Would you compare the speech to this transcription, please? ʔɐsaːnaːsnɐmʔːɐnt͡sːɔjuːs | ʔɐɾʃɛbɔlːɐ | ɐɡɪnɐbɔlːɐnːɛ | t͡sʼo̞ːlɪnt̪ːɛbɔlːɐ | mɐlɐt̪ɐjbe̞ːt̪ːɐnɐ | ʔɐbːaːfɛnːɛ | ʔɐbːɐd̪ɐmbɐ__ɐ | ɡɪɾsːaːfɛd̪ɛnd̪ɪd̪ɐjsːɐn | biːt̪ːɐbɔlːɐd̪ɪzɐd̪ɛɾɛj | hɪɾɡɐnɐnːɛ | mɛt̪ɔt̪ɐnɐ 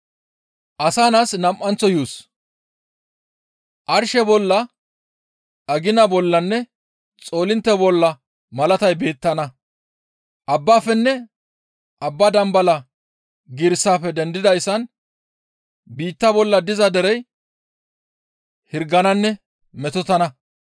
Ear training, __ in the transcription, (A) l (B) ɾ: A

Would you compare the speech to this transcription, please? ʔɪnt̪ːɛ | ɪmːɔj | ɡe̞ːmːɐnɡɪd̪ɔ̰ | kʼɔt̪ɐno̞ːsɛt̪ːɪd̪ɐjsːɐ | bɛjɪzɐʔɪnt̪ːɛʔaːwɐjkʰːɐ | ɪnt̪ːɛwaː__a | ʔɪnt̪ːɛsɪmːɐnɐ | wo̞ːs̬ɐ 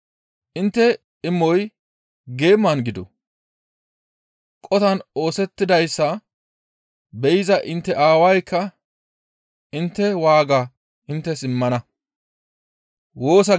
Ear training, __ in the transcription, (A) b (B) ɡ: B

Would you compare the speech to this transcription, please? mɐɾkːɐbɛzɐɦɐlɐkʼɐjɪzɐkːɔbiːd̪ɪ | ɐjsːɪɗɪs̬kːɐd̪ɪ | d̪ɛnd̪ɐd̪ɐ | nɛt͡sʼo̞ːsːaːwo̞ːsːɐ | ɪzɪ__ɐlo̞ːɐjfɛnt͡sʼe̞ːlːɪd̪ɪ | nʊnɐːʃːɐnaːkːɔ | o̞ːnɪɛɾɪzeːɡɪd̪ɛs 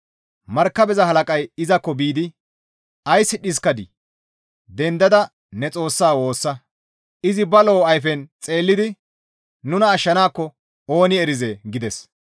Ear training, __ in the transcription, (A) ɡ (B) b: B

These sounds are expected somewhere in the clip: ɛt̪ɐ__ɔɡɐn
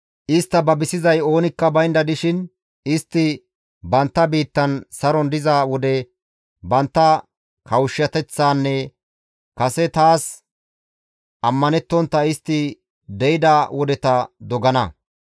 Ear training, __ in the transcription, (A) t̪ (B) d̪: B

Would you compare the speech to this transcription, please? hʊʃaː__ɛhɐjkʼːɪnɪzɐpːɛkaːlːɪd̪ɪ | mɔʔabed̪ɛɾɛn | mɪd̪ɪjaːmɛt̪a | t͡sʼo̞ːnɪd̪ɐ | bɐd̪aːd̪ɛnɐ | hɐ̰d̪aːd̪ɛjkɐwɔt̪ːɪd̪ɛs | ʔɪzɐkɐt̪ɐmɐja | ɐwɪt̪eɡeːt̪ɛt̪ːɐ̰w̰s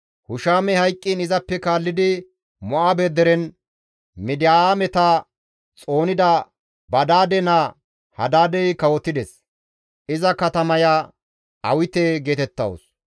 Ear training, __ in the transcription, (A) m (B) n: A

